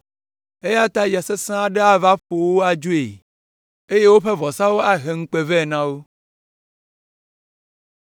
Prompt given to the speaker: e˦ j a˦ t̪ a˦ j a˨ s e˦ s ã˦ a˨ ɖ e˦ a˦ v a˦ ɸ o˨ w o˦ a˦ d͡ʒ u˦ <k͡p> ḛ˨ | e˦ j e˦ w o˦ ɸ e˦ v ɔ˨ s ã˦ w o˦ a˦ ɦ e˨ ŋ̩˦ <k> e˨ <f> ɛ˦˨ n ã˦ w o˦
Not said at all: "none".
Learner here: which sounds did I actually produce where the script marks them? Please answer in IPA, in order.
none, k͡p, v

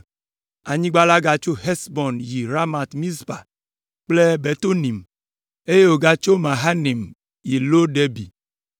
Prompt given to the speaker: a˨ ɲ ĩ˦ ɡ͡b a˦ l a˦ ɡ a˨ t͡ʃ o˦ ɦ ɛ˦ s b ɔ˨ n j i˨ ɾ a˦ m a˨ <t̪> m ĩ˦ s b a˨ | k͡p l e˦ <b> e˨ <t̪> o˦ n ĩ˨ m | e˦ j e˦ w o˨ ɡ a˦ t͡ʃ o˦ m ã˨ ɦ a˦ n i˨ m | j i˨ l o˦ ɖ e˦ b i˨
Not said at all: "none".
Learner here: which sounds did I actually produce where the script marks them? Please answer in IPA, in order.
t̪, b, t̪

